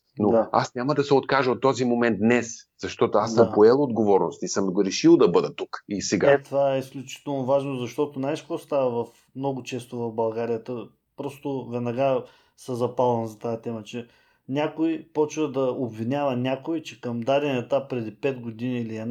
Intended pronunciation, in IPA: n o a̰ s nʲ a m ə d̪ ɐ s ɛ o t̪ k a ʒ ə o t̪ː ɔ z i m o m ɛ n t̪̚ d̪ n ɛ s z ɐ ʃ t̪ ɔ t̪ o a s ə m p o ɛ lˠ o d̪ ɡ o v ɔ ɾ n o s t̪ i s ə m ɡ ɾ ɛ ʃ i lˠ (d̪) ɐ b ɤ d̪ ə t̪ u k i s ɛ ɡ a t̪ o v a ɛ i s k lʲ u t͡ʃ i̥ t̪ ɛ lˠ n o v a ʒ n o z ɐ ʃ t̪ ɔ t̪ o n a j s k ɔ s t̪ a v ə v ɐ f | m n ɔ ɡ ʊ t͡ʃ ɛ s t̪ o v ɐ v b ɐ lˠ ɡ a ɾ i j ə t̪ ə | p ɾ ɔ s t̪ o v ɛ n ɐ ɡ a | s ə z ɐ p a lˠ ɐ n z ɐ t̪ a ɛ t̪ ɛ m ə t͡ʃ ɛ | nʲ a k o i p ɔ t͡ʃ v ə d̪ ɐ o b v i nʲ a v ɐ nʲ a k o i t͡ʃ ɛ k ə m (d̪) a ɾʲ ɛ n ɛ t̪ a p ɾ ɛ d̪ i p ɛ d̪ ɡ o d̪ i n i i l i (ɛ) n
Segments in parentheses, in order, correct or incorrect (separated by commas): correct, correct, correct